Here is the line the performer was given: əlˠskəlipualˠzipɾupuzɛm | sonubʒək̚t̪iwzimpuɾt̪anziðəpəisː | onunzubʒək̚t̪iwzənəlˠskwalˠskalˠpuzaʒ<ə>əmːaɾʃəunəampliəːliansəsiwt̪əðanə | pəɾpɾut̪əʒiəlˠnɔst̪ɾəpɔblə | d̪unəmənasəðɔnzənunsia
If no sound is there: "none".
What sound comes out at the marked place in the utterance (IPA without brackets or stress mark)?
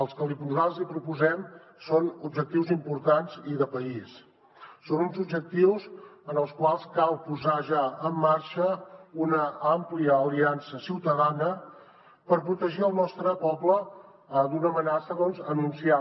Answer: a